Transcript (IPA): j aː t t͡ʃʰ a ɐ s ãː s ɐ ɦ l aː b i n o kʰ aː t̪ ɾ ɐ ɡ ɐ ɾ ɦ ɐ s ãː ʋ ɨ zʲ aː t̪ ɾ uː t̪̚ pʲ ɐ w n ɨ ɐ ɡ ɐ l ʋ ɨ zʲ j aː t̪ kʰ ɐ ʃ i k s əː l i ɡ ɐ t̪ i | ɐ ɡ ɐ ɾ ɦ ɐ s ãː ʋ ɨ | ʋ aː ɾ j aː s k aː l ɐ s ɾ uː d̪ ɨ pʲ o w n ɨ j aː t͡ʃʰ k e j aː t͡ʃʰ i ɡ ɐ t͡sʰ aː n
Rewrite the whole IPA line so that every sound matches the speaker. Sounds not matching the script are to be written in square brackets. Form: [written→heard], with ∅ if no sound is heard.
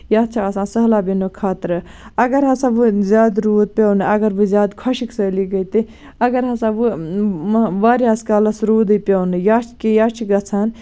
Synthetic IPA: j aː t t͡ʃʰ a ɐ s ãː s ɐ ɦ l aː b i n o kʰ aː t̪ ɾ ɐ ɡ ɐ ɾ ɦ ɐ s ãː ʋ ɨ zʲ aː [t̪→d̪] ɾ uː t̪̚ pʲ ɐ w n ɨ ɐ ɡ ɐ [l→ɾ] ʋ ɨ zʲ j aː [t̪→d̪] kʰ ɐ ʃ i k s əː l i ɡ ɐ t̪ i | ɐ ɡ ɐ ɾ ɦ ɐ s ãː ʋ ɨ | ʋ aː ɾ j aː s k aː l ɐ s ɾ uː d̪ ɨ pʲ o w n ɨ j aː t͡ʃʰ k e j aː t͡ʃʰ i ɡ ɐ t͡sʰ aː n

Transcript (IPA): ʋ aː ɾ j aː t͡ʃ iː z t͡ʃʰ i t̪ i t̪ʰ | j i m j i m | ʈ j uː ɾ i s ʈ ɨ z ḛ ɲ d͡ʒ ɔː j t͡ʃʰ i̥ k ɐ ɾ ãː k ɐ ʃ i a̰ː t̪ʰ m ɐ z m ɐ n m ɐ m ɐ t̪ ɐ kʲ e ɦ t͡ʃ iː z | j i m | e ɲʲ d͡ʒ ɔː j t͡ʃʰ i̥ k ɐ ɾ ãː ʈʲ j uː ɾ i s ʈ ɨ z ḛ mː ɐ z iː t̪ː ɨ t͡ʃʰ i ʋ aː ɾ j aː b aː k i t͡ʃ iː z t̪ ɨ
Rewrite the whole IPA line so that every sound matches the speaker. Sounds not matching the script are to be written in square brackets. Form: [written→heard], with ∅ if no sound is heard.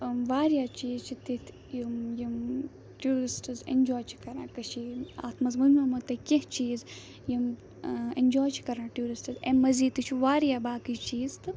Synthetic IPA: ʋ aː ɾ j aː t͡ʃ iː z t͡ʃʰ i t̪ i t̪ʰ | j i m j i m | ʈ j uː ɾ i s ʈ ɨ z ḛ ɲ d͡ʒ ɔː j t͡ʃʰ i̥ k ɐ ɾ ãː k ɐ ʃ i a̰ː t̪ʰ m ɐ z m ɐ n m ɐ m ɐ t̪ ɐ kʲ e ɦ t͡ʃ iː z | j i m | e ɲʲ d͡ʒ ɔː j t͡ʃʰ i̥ k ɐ ɾ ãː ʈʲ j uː ɾ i s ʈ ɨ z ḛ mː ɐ z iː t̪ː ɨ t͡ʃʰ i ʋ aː ɾ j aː b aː k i t͡ʃ iː z t̪ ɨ

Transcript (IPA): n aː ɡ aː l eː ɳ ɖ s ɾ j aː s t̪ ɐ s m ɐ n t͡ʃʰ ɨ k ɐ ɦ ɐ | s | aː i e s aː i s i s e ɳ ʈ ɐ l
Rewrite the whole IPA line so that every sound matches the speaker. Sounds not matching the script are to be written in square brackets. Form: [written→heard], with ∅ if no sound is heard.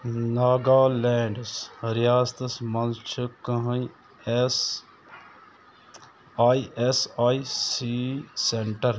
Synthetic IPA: n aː ɡ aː l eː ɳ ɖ s ɾ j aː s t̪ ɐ s m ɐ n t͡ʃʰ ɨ k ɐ ɦ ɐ | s | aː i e s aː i s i s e ɳ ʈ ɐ [l→ɾ]

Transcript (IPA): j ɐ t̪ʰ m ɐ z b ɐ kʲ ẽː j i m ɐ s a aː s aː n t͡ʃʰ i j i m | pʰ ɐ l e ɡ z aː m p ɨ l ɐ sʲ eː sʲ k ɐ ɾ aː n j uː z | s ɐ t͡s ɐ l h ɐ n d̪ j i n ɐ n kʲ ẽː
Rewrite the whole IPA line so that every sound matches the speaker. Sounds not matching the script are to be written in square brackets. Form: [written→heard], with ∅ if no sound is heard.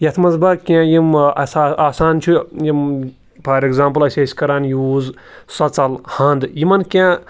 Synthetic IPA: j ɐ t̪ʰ m ɐ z b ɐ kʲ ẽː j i m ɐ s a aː s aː n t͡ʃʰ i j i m | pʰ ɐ [l→ɾ] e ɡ z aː m p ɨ l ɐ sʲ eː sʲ k ɐ ɾ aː n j uː z | s ɐ t͡s ɐ l h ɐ n d̪ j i [n→m] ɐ n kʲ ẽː

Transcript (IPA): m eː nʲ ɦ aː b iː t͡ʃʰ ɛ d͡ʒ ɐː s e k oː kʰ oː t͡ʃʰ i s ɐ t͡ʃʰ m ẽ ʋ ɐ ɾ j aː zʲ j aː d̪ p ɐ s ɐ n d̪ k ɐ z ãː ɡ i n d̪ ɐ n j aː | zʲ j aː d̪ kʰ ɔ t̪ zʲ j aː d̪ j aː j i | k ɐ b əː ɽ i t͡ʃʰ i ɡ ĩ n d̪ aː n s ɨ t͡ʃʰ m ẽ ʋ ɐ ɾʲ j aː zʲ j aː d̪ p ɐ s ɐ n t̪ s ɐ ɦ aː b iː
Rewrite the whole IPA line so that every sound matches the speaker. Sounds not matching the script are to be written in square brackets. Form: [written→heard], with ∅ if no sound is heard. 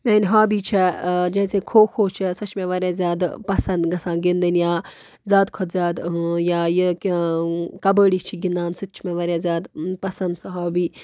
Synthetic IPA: m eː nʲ ɦ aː b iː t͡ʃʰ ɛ d͡ʒ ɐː s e [k→kʰ] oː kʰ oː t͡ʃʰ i s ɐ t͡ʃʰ m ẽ ʋ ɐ ɾ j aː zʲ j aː d̪ p ɐ s ɐ n d̪ [k→ɡ] ɐ [z→s] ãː ɡ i n d̪ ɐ n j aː | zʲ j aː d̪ kʰ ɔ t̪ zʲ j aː d̪ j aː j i | k ɐ b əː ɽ i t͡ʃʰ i ɡ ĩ n d̪ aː n s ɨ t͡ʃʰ m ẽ ʋ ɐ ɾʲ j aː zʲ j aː d̪ p ɐ s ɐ n [t̪→d̪] s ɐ ɦ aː b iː

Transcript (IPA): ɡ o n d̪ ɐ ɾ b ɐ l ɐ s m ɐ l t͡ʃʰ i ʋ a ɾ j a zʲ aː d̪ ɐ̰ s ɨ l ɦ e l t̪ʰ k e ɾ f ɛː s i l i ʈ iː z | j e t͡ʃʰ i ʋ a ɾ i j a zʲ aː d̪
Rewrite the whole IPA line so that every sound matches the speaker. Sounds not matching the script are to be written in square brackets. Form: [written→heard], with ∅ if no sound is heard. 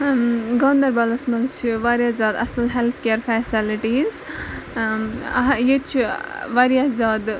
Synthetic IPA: ɡ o n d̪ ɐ ɾ b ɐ l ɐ s m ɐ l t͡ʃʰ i ʋ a ɾ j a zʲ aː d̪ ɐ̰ s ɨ l ɦ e l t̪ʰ k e ɾ f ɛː s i l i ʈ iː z | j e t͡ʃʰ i ʋ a ɾ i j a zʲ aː d̪

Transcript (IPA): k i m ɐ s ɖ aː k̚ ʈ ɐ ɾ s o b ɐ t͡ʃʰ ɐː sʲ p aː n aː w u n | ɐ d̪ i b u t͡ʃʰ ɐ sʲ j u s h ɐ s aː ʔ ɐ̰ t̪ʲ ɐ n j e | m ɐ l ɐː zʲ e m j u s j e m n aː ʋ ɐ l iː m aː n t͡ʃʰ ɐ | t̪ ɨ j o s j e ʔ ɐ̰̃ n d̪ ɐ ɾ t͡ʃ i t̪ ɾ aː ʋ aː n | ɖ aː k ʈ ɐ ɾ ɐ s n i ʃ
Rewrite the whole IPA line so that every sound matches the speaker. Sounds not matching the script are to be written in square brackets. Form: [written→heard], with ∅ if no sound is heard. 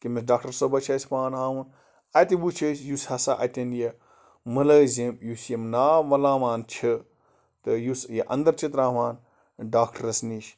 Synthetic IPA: k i m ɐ s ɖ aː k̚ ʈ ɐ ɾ s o b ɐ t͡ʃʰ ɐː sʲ p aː n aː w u n | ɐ [d̪→t̪] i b u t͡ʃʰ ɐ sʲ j u s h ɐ s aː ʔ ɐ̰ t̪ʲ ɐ n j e | m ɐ l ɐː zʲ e m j u s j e m n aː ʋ ɐ l [iː→aː] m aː n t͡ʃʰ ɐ | t̪ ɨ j [o→u] s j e ʔ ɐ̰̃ n d̪ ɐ ɾ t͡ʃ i t̪ ɾ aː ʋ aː n | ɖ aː k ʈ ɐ ɾ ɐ s n i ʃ

